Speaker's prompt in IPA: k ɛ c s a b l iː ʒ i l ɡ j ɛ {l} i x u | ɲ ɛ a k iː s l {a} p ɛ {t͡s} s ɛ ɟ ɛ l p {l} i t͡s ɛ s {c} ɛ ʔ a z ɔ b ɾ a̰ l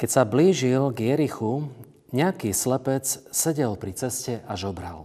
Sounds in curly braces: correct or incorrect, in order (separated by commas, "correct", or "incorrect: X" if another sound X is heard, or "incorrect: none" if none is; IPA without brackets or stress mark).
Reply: incorrect: ɾ, incorrect: ɛ, correct, incorrect: ɾ, correct